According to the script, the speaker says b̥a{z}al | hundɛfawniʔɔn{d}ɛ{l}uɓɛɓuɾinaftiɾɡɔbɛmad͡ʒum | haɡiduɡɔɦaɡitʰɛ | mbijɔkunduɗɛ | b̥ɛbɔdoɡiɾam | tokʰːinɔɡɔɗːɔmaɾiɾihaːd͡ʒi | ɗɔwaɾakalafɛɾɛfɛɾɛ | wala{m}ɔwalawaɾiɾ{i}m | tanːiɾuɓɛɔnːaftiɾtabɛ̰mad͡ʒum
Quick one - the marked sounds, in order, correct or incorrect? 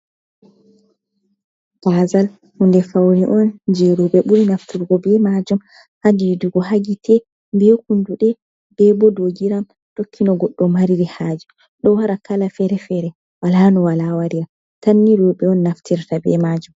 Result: correct, incorrect, incorrect, incorrect, incorrect

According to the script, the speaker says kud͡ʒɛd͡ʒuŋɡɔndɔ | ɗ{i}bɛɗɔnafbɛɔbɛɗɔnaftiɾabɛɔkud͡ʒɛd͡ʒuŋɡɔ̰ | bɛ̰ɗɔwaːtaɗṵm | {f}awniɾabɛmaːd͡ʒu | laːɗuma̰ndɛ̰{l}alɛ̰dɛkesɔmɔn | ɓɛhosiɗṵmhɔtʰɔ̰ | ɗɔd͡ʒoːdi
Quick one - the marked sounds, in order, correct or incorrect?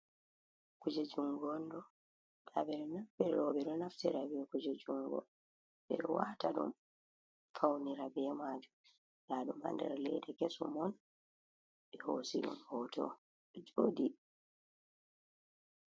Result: incorrect, correct, incorrect

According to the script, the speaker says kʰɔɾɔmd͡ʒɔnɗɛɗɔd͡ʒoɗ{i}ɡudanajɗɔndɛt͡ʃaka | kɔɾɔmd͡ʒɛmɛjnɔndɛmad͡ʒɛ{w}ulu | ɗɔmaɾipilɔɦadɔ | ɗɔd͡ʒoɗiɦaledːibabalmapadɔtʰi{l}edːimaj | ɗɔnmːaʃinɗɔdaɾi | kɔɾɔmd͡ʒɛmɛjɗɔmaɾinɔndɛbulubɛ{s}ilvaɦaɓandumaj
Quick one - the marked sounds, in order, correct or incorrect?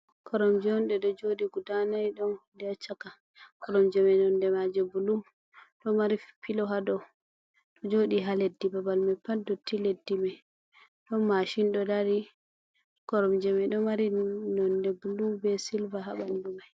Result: correct, incorrect, correct, correct

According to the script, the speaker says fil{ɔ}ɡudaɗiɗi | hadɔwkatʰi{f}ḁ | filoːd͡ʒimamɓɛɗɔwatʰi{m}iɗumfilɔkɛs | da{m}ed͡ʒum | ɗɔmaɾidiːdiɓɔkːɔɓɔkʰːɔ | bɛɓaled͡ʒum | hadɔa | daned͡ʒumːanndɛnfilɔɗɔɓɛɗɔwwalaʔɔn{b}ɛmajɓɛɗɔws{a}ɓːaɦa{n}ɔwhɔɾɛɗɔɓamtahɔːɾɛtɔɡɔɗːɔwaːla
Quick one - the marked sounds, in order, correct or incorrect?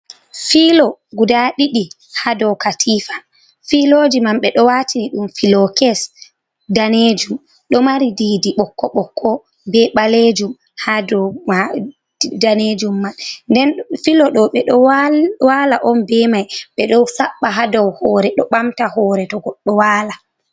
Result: correct, correct, incorrect, incorrect, correct, correct, incorrect

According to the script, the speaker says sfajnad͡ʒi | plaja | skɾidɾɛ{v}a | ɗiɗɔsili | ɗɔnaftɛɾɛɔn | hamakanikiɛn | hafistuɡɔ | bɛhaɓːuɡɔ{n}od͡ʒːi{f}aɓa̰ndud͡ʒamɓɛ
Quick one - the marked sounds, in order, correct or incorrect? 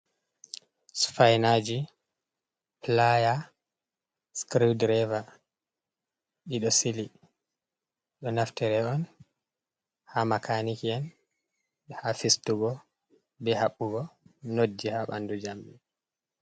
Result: correct, correct, incorrect

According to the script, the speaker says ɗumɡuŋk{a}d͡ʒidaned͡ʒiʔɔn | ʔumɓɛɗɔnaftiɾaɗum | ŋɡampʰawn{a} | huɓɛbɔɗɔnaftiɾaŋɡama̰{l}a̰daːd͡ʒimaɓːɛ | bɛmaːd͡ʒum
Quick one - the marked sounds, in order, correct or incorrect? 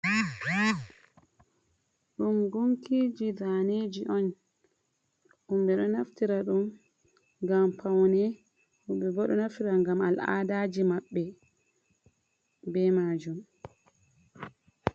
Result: incorrect, incorrect, correct

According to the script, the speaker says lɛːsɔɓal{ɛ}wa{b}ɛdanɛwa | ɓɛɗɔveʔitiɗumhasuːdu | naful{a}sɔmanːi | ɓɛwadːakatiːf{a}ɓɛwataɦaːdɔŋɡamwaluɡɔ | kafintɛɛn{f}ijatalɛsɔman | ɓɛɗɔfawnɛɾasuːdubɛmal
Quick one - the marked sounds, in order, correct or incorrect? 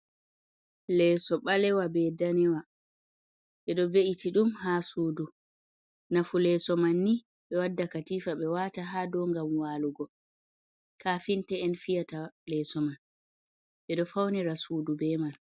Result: correct, correct, incorrect, correct, correct

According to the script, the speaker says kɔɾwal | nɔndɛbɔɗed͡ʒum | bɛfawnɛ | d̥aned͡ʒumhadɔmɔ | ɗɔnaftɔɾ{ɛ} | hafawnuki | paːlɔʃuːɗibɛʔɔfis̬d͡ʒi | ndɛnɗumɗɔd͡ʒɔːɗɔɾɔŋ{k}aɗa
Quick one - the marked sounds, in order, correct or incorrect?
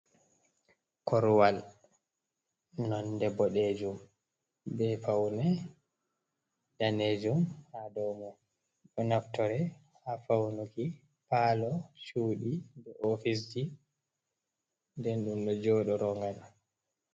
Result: correct, incorrect

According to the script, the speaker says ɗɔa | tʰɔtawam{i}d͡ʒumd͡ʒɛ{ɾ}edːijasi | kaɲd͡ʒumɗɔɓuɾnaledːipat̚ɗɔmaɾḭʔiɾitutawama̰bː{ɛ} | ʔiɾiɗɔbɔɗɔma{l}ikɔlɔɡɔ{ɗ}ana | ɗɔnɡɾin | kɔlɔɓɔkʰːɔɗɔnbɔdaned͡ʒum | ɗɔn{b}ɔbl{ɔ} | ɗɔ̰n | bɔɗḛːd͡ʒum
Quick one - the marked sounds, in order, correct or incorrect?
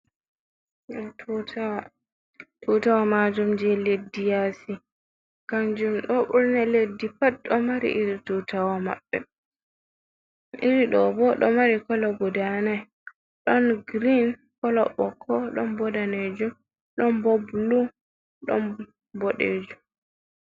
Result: incorrect, incorrect, correct, incorrect, incorrect, correct, incorrect

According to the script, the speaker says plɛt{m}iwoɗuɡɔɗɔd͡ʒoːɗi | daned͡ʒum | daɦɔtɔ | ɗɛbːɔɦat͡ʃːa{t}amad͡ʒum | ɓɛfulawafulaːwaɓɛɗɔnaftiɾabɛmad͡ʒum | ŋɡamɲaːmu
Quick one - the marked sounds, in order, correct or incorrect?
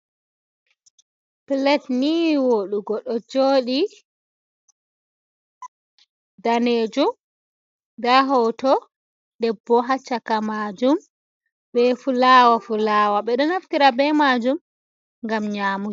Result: incorrect, incorrect

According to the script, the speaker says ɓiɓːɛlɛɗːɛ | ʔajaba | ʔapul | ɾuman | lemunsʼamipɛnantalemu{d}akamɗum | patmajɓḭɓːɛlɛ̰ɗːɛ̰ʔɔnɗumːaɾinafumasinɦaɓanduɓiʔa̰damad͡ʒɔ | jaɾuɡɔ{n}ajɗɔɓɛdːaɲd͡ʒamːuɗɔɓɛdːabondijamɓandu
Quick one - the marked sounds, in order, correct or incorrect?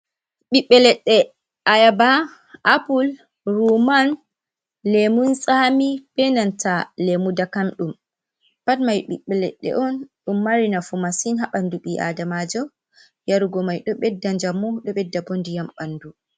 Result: correct, incorrect

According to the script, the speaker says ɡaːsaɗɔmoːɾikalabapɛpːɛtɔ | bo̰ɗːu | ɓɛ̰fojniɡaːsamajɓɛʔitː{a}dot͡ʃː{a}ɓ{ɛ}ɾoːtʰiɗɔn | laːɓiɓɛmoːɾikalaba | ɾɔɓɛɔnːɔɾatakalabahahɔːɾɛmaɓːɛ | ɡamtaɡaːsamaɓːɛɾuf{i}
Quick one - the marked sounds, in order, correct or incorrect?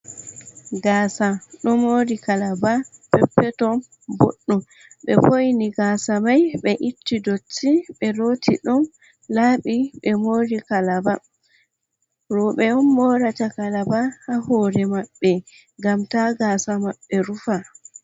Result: incorrect, incorrect, correct, incorrect

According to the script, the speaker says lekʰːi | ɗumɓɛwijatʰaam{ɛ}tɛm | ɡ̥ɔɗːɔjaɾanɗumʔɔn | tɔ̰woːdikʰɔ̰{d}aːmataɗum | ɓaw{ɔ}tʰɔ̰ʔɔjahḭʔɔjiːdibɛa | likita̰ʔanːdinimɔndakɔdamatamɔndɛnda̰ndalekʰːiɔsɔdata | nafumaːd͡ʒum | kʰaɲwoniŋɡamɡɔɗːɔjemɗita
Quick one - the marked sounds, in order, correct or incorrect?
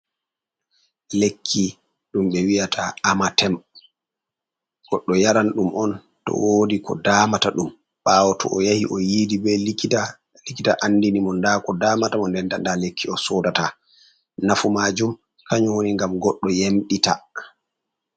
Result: incorrect, correct, correct

